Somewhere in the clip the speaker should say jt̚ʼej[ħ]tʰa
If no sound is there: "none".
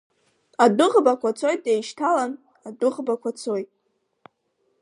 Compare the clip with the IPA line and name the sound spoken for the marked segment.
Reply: ʃ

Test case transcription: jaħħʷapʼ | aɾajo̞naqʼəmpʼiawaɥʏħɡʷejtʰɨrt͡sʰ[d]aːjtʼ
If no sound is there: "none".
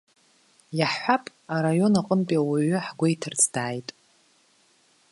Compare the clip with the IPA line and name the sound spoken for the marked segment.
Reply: d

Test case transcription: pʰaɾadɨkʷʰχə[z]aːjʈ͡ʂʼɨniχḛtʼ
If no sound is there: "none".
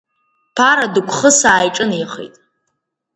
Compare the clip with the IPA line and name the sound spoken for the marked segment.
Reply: s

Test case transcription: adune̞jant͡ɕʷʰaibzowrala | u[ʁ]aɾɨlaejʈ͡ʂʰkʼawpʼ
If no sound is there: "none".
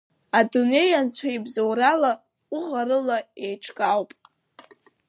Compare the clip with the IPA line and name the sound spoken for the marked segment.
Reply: ʁ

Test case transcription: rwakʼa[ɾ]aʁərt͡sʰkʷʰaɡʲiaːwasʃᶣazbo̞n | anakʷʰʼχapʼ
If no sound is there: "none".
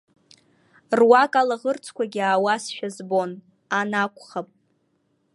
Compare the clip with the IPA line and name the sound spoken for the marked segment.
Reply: l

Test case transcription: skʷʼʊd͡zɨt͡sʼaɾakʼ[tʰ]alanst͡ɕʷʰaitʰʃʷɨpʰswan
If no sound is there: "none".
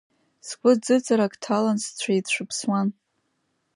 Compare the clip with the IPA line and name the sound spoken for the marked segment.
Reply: tʰ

